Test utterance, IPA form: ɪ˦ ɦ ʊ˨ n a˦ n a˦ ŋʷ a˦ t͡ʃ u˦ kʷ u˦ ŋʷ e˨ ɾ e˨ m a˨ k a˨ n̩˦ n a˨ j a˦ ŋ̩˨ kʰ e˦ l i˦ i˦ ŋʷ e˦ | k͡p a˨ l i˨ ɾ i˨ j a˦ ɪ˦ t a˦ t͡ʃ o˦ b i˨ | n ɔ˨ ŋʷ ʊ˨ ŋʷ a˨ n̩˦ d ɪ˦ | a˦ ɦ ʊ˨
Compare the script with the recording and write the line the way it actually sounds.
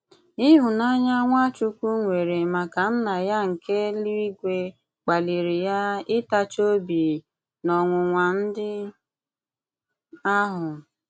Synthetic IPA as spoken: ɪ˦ ɦ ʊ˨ n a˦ ɲ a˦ ŋʷ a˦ t͡ʃ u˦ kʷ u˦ ŋʷ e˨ ɾ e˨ m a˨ k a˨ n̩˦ n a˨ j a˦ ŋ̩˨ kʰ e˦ l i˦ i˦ ɡʷ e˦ | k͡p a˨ l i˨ ɾ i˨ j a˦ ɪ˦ t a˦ t͡ʃ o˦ b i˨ | n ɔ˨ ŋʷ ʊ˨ ŋʷ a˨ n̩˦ d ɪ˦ | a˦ ɦ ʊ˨

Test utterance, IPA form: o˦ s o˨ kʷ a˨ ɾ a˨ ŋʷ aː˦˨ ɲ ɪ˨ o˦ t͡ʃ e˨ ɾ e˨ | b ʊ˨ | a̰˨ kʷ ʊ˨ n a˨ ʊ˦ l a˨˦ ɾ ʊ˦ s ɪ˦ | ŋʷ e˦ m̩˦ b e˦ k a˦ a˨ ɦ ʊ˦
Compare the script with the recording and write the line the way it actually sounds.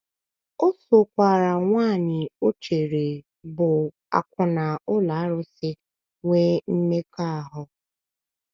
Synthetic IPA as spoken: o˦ s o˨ kʷ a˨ ɾ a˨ ŋʷ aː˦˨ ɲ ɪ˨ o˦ t͡ʃ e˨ ɾ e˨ | b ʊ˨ | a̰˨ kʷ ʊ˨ n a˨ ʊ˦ l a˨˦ ɾ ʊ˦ s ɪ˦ | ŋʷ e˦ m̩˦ m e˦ k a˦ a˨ ɦ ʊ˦

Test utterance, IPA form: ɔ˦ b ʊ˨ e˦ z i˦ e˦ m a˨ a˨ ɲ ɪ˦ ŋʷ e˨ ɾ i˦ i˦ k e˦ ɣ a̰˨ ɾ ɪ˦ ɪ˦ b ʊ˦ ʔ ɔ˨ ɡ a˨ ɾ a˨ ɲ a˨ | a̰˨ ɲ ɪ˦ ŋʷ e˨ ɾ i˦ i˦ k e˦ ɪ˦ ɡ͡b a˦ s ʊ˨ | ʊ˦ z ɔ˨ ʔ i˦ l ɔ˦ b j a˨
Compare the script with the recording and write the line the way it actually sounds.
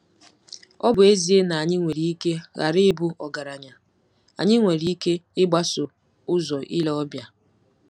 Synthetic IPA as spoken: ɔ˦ b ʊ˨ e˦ z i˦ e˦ n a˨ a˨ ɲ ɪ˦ ŋʷ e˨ ɾ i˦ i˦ k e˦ ɣ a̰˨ ɾ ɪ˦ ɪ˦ b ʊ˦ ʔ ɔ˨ ɡ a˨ ɾ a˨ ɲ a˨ | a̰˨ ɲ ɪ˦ ŋʷ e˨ ɾ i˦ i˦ k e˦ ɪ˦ ɡ͡b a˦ s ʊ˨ | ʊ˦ z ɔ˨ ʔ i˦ l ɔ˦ b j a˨

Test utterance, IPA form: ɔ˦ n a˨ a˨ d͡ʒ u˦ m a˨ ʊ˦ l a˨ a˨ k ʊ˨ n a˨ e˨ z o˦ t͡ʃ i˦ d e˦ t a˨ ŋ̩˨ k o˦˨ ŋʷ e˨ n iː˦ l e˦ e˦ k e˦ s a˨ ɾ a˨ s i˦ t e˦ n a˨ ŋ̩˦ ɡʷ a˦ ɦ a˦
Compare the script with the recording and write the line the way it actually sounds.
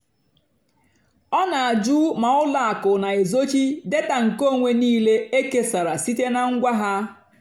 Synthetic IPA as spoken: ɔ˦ n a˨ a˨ d͡ʒ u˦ m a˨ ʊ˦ l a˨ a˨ k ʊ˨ n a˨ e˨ z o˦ t͡ʃ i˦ d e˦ t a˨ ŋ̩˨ k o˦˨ ŋʷ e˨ n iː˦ l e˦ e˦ k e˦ s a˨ ɾ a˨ s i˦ t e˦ n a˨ ŋ̩˦ ɡʷ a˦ ɦ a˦

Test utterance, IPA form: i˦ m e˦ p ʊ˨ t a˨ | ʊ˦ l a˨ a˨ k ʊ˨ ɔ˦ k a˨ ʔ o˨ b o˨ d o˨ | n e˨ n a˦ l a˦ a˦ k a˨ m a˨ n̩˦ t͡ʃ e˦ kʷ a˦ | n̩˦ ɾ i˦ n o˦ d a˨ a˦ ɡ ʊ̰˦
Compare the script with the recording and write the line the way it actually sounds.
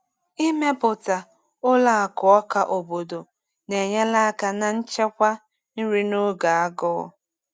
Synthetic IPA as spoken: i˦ m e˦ p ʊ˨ t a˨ | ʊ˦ l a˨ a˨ k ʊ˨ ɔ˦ k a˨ ʔ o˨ b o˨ d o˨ | n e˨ ɲ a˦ l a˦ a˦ k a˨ n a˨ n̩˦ t͡ʃ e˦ kʷ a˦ | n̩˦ ɾ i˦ n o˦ ɡ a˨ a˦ ɡ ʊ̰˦

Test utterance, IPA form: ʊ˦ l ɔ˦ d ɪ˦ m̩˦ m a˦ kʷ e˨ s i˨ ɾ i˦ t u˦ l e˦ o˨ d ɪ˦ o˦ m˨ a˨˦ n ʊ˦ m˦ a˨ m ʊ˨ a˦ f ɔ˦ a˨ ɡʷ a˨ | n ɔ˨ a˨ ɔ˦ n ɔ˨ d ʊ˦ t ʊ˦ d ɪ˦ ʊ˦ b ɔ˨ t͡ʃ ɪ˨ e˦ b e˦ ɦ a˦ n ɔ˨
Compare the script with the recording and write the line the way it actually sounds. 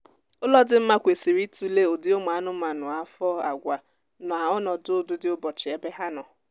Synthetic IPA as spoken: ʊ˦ l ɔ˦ d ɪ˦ m̩˦ m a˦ kʷ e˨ s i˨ ɾ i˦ t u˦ l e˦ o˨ d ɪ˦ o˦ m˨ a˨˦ n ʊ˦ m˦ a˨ n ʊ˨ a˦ f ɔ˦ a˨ ɡʷ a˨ | n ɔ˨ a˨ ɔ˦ n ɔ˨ d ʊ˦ d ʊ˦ d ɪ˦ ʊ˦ b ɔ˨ t͡ʃ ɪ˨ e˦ b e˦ ɦ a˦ n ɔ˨

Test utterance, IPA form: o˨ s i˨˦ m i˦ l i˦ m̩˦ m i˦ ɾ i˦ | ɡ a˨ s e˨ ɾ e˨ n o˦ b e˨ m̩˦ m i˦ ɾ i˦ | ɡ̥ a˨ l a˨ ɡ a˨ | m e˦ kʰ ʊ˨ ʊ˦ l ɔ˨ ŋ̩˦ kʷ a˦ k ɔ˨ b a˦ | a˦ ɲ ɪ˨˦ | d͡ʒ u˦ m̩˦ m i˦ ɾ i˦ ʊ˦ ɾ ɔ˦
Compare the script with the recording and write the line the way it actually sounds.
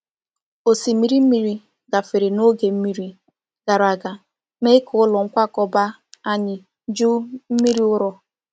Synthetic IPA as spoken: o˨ s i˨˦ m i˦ ɾ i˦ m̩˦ m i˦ ɾ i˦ | ɡ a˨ f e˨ ɾ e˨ n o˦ ɡ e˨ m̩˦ m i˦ ɾ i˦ | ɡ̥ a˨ ɾ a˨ ɡ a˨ | m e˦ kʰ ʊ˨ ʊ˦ l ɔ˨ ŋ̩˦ kʷ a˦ k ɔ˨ b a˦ | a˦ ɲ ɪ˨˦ | d͡ʒ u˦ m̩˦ m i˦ ɾ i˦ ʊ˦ ɾ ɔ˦

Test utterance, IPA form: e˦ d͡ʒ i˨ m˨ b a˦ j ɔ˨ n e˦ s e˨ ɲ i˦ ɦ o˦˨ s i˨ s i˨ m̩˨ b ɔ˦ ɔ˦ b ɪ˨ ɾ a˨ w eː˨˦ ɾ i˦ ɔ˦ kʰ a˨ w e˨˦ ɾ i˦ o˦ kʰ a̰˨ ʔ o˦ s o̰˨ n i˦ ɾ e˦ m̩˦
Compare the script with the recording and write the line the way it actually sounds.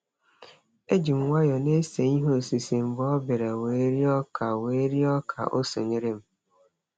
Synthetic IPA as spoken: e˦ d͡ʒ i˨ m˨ w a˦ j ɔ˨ n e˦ s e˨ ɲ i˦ ɦ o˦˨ s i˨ s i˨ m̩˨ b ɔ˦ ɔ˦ b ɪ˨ ɾ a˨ w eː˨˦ ɾ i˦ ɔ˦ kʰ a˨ w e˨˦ ɾ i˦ ɔ˦ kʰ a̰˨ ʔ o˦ s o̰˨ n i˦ ɾ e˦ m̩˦

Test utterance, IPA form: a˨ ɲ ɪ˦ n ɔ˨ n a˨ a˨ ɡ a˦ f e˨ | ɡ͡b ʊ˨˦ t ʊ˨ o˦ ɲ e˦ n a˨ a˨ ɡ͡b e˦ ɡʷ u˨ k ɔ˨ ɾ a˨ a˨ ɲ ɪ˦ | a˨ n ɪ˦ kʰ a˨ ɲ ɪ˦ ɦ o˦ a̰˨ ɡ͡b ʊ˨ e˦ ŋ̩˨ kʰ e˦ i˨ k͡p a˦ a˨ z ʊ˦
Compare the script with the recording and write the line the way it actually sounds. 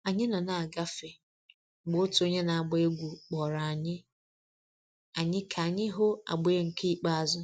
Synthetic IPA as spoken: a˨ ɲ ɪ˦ n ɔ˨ n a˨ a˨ ɡ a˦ f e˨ | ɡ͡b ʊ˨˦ t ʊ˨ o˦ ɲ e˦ n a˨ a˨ ɡ͡b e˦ ɡʷ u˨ k͡p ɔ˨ ɾ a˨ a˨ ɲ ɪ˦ | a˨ ɲ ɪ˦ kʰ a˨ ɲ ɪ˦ ɦ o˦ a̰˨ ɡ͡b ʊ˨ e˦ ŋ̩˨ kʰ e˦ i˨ k͡p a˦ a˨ z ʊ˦

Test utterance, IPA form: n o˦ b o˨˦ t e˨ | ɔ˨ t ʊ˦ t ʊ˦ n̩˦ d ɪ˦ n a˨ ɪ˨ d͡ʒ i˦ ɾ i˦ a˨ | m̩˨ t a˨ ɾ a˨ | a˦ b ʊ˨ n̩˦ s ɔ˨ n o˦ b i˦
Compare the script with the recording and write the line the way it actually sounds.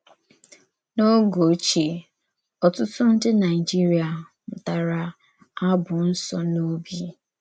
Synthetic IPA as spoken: n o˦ ɡ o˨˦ t͡ʃ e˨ | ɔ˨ t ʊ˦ t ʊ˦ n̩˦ d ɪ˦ n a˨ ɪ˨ d͡ʒ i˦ ɾ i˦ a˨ | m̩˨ t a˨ ɾ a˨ | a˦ b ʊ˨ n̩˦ s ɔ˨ n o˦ b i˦

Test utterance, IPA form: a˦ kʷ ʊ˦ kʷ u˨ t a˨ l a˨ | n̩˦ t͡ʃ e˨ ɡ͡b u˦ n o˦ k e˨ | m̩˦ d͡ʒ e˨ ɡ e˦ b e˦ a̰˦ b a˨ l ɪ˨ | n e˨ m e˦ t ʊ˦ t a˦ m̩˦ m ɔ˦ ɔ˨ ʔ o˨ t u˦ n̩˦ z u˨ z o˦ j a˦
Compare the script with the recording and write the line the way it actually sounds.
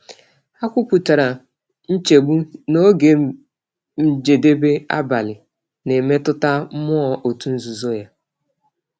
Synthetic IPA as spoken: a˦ kʷ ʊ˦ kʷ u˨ t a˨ ɾ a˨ | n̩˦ t͡ʃ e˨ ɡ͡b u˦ n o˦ ɡ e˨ | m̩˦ d͡ʒ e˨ d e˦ b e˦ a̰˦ b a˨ l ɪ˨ | n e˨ m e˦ t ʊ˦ t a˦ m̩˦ m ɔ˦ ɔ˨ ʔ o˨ t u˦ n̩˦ z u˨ z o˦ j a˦

